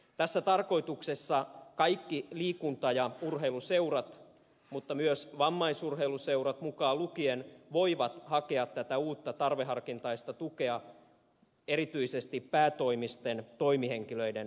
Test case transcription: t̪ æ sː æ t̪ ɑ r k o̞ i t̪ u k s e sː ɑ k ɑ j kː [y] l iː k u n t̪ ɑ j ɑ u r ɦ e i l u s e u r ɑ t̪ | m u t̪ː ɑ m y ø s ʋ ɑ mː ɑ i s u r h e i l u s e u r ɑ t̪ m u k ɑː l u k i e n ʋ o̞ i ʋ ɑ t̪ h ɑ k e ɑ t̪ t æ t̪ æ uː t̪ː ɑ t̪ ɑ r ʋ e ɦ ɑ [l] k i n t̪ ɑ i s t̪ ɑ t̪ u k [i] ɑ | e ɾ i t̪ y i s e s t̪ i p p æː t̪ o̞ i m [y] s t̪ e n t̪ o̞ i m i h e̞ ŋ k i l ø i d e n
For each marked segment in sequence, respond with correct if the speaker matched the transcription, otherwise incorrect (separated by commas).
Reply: incorrect, incorrect, incorrect, incorrect